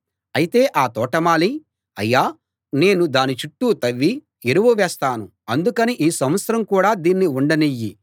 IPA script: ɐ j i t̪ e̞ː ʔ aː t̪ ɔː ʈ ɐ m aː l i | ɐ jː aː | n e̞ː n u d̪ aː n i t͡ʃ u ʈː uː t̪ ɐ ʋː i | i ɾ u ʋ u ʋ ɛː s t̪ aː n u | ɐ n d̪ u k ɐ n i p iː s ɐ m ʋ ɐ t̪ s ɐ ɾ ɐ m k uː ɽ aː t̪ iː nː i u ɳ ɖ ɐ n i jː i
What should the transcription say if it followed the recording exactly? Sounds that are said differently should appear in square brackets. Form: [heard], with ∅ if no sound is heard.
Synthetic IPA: ɐ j i t̪ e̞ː ʔ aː t̪ ɔː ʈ ɐ m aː l i | ɐ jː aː | n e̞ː n u d̪ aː n i t͡ʃ u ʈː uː t̪ ɐ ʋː i | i ɾ u ʋ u ʋ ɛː s t̪ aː n u | ɐ n d̪ u k ɐ n i [ʔ] iː s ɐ m ʋ ɐ t̪ s ɐ ɾ ɐ m k uː ɽ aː [d̪] iː nː i u ɳ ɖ ɐ n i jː i